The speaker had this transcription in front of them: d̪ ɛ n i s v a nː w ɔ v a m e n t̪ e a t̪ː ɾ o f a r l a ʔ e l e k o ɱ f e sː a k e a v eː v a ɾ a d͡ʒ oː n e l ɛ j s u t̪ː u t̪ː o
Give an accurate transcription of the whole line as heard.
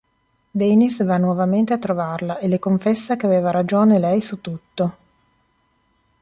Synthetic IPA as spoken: d̪ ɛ n i s v a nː w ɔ v a m e n t̪ e a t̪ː ɾ o v a r l a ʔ e l e k o ɱ f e sː a k e a v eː v a ɾ a d͡ʒ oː n e l ɛ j s u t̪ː u t̪ː o